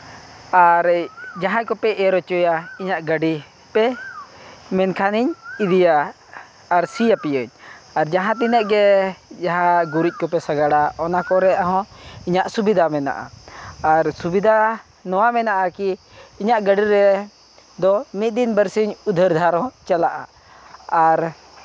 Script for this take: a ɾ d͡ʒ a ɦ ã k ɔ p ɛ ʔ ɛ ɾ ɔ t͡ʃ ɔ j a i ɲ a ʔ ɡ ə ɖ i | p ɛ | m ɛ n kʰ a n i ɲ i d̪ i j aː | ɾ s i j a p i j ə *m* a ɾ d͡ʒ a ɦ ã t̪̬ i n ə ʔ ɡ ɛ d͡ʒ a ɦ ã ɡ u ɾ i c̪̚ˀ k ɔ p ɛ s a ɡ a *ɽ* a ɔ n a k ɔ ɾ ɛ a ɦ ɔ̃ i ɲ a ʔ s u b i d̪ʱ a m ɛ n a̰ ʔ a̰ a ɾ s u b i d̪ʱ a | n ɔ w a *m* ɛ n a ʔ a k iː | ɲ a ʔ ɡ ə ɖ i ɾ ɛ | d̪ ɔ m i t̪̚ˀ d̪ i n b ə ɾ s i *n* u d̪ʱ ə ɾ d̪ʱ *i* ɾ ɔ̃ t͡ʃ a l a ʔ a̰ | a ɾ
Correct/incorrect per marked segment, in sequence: incorrect: ɲ, correct, correct, incorrect: ɲ, incorrect: a

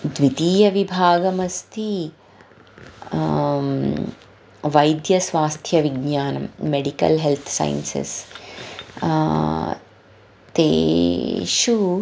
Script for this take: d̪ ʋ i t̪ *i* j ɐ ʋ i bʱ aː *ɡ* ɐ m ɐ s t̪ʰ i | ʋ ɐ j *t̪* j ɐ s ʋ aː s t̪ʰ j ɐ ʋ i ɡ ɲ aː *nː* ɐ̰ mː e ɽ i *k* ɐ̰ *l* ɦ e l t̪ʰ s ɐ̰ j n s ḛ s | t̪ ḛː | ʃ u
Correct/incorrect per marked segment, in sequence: incorrect: iː, correct, incorrect: d̪, incorrect: n, correct, correct

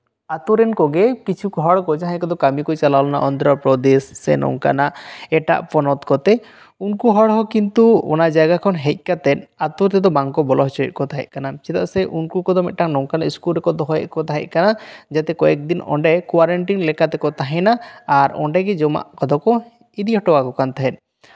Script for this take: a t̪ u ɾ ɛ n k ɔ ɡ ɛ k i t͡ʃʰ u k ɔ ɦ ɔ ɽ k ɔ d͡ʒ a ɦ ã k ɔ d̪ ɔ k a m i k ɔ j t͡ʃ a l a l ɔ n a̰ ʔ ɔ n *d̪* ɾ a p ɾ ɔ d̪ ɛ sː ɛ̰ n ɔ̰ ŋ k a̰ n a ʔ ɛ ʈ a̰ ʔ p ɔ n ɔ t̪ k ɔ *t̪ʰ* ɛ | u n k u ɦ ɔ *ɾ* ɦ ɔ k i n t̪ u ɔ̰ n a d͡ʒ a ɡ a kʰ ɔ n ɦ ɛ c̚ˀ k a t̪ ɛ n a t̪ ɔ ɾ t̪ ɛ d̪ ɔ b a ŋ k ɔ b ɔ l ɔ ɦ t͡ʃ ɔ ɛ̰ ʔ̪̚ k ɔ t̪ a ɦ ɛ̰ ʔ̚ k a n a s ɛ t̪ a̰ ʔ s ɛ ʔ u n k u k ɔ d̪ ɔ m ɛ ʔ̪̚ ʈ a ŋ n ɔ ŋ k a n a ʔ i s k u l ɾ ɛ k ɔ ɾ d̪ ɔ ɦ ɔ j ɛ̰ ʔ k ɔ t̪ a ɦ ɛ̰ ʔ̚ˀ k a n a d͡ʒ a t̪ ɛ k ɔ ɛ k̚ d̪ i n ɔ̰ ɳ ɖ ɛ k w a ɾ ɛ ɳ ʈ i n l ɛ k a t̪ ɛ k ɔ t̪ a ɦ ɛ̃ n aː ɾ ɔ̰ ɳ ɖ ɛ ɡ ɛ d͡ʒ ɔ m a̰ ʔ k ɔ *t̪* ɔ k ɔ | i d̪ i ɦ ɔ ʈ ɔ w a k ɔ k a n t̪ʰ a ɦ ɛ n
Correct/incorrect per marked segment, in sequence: correct, incorrect: t̪, incorrect: ɽ, incorrect: d̪

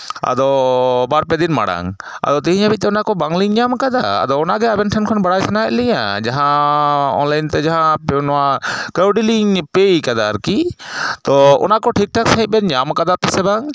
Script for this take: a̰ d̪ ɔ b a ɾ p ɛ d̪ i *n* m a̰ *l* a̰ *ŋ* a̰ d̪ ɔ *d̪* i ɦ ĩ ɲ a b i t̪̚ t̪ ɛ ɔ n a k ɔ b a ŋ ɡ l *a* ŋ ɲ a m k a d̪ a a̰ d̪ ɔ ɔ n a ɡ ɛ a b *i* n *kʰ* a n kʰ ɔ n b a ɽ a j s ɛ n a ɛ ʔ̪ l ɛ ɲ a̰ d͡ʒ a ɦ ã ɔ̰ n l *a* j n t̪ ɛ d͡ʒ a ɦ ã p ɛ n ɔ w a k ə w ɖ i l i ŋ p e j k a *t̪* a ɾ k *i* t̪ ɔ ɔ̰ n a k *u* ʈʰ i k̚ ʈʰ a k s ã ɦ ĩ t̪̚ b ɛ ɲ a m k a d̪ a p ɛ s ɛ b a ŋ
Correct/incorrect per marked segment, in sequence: correct, incorrect: ɽ, correct, incorrect: t̪, incorrect: i, incorrect: ɛ, incorrect: ʈʰ, correct, incorrect: d̪, correct, incorrect: ɔ

